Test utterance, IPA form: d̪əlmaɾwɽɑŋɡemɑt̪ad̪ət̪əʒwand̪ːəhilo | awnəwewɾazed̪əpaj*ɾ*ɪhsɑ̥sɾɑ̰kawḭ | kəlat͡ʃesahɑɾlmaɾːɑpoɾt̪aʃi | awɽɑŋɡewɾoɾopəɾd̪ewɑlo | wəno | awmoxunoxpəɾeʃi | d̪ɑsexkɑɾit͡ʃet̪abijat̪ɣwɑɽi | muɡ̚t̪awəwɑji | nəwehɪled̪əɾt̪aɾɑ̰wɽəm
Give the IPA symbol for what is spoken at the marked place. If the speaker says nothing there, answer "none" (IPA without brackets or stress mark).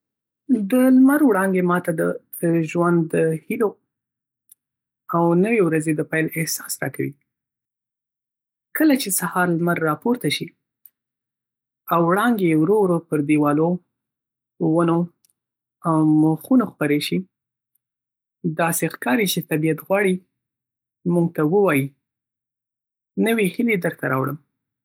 l